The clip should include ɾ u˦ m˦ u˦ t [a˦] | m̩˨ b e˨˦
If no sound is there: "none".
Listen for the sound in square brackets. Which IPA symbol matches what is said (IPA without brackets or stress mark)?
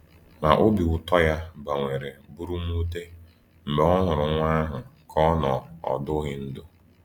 e˦